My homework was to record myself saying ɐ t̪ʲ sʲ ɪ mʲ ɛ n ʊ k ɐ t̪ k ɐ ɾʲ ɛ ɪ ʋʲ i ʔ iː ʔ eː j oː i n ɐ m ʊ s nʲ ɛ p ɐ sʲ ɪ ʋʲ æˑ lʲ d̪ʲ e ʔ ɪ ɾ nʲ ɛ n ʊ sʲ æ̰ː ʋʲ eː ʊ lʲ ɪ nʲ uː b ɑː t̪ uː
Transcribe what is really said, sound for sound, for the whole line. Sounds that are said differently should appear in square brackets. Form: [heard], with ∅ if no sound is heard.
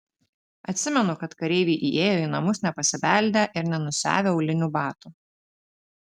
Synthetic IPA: ɐ t̪ʲ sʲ ɪ mʲ ɛ n ʊ k ɐ t̪ k ɐ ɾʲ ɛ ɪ ʋʲ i ʔ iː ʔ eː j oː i n ɐ m ʊ s nʲ ɛ p ɐ sʲ ɪ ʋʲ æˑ lʲ d̪ʲ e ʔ ɪ ɾ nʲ ɛ n ʊ sʲ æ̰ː ʋʲ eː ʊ lʲ ɪ nʲ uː b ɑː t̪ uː